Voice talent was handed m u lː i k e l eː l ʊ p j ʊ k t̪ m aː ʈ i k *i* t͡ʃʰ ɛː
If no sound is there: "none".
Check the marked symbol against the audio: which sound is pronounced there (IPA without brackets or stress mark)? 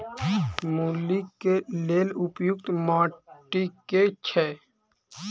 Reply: e